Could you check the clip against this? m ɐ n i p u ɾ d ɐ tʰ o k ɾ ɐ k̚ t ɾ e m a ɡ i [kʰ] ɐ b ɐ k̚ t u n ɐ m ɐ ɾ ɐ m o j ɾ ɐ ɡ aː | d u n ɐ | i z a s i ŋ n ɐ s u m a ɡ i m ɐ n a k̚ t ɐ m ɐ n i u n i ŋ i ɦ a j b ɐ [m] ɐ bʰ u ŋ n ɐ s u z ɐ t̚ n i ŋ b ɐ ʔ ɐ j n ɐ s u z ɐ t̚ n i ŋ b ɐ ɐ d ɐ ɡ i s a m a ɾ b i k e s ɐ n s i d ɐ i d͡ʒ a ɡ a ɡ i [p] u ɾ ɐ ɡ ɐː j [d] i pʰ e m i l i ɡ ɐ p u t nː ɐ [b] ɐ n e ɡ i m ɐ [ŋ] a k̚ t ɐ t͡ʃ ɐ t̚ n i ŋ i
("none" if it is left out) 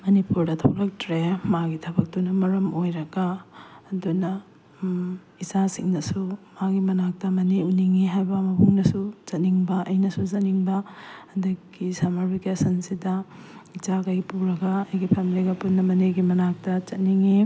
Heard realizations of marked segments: tʰ, m, p, ɡ, m, n

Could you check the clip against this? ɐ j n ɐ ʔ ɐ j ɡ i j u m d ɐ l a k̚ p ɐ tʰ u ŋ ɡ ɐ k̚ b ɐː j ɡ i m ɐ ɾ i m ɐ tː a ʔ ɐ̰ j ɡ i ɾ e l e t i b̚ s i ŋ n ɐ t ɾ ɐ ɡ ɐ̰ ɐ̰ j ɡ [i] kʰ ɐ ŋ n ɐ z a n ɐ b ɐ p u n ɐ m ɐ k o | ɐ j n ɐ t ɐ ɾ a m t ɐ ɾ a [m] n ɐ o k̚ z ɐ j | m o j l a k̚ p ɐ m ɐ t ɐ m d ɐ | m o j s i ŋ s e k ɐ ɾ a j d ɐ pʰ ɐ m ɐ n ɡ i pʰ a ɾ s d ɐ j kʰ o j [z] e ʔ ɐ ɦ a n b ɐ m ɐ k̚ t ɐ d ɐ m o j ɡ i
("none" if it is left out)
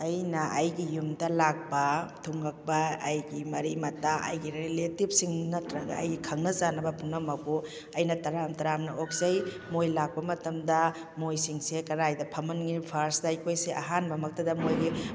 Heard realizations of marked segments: i, m, s

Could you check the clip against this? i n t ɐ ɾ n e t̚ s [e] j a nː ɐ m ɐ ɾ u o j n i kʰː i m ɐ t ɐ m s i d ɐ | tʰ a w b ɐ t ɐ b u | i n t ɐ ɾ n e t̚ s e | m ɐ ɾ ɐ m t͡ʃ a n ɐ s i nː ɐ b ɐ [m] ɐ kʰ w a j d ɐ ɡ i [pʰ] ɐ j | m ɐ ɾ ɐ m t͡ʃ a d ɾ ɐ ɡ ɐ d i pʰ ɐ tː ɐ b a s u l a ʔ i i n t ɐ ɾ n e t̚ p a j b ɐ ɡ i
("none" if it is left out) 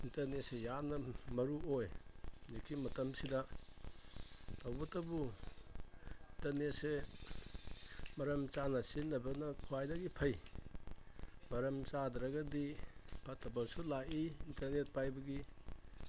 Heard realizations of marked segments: e, n, pʰ

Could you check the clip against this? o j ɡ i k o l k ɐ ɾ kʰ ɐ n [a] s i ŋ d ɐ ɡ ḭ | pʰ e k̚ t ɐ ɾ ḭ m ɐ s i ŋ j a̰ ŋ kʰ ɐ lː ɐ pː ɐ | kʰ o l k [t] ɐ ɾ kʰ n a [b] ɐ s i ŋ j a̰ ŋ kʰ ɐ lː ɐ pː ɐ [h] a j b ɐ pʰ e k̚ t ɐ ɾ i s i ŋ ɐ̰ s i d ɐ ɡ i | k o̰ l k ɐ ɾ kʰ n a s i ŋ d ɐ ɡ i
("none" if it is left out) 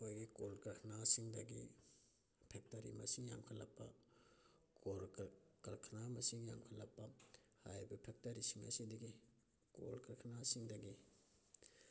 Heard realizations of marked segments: a, k, m, h

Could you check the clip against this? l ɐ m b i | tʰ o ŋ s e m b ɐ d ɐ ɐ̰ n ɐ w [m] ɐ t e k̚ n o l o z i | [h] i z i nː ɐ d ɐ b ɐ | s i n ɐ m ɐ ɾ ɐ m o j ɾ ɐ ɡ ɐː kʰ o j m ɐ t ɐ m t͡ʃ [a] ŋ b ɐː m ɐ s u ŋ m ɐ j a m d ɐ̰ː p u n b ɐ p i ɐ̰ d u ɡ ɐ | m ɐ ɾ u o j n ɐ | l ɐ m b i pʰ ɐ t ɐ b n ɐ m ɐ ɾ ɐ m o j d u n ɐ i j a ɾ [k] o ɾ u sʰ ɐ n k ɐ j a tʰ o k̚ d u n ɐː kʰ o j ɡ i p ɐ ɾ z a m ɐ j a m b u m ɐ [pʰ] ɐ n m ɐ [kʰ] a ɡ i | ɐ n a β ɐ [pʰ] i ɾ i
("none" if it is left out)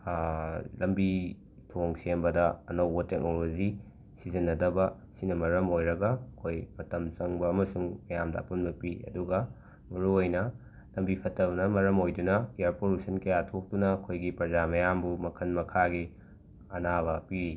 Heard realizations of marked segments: b, s, ɐ, p, kʰ, kʰ, p

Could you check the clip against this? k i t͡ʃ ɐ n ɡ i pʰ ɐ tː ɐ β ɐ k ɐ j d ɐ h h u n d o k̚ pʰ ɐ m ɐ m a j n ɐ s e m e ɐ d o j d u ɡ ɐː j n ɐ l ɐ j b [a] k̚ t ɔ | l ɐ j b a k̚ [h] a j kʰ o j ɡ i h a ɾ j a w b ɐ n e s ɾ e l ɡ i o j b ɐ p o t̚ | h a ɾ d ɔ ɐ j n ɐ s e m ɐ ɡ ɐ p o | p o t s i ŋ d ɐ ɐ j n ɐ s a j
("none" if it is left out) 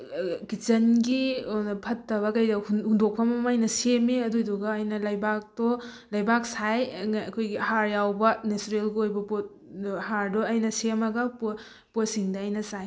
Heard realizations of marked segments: a, s

